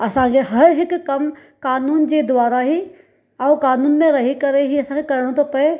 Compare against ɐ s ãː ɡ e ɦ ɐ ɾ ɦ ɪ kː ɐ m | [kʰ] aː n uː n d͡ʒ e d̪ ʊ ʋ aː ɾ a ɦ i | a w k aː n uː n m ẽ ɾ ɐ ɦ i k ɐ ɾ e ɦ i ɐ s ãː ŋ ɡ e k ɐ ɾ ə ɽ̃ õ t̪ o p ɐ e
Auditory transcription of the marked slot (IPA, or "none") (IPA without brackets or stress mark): k